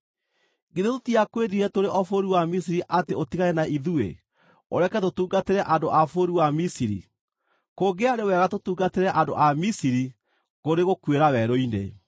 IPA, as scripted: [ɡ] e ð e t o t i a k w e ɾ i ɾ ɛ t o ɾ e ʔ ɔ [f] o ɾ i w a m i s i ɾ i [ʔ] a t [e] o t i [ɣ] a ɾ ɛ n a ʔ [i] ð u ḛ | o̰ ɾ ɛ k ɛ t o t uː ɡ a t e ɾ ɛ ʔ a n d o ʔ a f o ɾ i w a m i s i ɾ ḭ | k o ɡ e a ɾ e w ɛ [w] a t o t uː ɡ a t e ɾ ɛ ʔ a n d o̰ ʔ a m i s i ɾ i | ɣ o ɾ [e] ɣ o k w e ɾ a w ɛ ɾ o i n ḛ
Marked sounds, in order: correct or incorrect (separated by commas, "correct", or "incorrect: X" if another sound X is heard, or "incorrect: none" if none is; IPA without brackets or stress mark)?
correct, correct, correct, correct, correct, correct, incorrect: ɣ, correct